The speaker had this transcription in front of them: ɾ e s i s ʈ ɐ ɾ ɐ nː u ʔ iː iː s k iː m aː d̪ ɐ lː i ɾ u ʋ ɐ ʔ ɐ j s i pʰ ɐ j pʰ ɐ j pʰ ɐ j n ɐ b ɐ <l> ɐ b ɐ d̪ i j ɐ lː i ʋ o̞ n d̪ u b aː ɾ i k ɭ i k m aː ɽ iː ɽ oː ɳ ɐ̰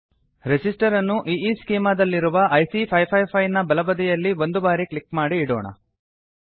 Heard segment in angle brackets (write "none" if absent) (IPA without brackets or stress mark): l